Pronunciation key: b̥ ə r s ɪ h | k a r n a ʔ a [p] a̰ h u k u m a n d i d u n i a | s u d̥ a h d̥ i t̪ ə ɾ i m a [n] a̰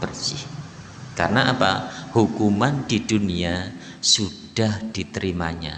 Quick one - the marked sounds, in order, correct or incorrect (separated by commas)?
correct, incorrect